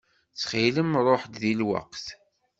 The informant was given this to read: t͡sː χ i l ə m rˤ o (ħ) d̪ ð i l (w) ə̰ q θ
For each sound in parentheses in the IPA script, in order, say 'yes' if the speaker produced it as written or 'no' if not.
yes, yes

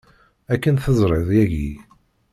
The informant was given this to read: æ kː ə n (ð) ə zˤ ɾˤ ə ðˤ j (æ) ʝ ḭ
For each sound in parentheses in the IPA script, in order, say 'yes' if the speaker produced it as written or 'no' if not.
no, yes

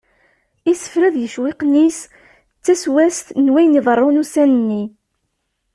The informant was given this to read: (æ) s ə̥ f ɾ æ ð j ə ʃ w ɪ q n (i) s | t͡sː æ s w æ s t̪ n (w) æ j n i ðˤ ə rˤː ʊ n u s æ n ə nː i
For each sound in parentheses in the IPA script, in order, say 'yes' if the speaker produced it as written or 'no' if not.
no, yes, yes

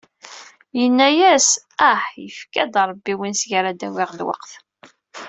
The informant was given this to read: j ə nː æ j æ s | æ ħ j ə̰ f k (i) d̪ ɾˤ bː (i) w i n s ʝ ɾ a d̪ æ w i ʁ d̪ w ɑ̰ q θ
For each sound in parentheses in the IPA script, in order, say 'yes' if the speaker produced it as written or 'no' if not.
no, yes

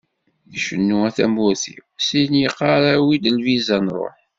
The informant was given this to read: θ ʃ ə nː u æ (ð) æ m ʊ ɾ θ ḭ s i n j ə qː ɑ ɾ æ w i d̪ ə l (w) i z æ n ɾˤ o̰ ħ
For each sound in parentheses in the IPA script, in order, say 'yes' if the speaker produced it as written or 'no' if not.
no, no

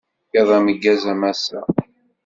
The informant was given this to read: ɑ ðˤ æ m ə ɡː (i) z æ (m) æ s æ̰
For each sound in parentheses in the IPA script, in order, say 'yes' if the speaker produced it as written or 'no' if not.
no, yes

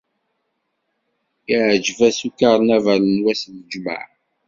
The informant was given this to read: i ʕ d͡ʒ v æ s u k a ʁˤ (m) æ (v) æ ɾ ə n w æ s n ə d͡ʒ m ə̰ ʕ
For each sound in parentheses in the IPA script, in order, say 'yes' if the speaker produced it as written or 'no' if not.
no, yes

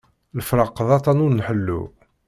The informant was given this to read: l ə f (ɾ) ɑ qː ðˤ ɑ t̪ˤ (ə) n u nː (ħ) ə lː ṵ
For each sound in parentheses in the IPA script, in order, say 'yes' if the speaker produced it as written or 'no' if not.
yes, no, yes

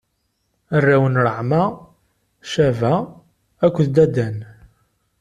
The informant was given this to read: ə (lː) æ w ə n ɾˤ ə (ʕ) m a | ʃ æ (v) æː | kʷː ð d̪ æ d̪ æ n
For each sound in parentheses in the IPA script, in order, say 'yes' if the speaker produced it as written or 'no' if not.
no, yes, yes

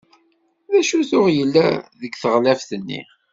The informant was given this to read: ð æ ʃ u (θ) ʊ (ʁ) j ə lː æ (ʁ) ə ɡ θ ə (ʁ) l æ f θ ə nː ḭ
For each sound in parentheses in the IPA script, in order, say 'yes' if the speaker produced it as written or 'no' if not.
yes, yes, no, yes

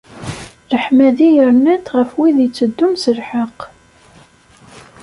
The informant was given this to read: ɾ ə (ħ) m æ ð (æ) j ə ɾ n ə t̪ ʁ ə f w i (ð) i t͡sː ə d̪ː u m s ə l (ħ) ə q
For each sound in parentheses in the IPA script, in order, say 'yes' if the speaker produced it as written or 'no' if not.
yes, no, yes, yes

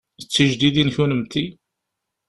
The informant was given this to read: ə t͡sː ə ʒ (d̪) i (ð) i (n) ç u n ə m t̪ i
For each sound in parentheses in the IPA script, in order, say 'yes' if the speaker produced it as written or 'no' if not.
yes, yes, yes

